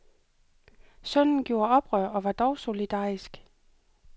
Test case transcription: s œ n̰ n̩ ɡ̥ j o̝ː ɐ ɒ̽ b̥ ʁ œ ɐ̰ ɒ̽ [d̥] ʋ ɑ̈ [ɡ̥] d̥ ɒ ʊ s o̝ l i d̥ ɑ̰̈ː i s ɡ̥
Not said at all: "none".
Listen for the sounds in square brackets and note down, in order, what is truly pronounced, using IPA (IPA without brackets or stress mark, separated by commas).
none, none